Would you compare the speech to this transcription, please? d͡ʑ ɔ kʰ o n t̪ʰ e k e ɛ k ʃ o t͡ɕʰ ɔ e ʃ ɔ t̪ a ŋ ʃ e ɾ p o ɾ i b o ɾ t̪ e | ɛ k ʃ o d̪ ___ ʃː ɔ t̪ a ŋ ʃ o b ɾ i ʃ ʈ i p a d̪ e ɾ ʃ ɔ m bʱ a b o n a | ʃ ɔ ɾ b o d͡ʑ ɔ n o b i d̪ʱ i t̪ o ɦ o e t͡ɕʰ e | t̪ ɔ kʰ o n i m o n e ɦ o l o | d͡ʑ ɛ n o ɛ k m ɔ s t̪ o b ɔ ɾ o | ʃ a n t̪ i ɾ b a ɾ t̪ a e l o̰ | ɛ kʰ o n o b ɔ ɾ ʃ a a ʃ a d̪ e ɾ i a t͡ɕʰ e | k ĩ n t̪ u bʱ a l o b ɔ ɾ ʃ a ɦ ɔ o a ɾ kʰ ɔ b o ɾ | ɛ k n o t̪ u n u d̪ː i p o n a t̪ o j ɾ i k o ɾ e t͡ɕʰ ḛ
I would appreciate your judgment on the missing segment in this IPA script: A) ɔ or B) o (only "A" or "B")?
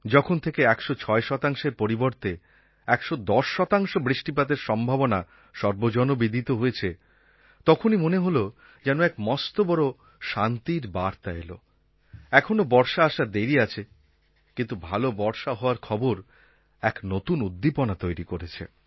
A